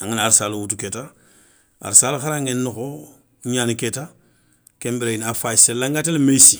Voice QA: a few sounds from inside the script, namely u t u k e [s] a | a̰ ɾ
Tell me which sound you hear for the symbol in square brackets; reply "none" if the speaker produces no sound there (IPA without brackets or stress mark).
t